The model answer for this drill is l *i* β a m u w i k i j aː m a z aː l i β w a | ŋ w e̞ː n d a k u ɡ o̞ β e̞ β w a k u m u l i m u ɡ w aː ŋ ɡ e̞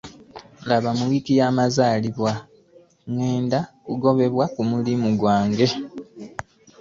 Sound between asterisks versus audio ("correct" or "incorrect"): incorrect